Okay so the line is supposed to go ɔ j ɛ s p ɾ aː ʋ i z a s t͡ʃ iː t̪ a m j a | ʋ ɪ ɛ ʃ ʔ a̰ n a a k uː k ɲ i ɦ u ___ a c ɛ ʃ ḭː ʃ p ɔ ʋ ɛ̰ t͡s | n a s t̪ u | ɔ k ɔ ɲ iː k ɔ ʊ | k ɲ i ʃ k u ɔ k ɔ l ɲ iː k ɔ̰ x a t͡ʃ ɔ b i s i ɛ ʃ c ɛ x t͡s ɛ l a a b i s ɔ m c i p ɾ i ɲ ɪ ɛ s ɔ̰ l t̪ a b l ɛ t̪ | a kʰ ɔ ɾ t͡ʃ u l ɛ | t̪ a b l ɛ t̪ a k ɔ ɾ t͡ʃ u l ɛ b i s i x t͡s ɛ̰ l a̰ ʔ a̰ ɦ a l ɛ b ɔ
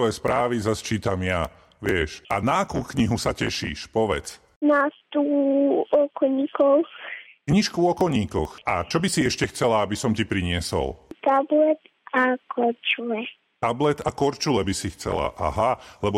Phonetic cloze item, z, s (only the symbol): s